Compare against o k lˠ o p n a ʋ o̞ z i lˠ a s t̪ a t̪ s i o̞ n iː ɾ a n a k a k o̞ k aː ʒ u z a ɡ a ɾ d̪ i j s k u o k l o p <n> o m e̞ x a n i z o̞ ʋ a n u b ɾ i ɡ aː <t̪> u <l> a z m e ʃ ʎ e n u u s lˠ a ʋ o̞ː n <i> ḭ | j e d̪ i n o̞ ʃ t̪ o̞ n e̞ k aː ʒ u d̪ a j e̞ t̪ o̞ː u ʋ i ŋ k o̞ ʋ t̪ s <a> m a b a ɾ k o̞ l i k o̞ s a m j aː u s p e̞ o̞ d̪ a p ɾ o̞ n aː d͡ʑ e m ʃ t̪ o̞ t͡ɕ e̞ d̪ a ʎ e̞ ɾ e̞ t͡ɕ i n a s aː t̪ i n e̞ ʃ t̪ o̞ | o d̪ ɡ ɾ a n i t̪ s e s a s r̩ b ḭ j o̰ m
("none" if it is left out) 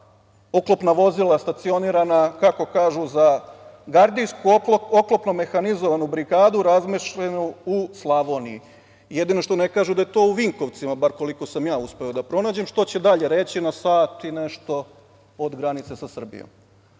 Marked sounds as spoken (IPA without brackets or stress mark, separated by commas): n, d̪, ɾ, i, i